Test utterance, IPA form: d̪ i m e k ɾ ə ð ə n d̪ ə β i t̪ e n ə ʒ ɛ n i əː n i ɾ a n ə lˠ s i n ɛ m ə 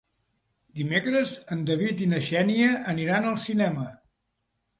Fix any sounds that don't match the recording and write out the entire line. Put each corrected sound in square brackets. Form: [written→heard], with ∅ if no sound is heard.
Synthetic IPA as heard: d̪ i m e k ɾ ə [ð→z] ə n d̪ ə β i t̪ [e→i] n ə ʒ ɛ n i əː n i ɾ a n ə lˠ s i n ɛ m ə